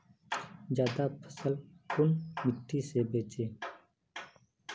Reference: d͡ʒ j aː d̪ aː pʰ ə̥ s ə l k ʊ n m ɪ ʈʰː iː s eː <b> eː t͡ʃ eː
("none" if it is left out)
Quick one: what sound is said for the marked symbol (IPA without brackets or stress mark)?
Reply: b